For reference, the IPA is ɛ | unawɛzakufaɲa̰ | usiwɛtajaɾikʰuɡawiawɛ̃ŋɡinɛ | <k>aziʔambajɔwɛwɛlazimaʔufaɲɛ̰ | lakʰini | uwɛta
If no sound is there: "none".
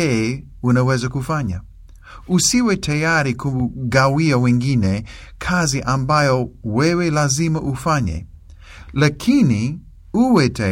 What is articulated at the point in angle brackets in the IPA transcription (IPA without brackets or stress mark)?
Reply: kʰ